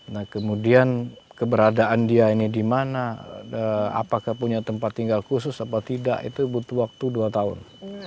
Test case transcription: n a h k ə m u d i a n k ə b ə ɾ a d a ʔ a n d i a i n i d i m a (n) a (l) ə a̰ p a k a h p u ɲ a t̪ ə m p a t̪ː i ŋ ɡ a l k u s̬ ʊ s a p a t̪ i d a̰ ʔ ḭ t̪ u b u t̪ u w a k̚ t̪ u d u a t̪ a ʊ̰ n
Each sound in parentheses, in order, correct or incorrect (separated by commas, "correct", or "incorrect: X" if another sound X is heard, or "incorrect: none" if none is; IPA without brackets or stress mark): correct, incorrect: none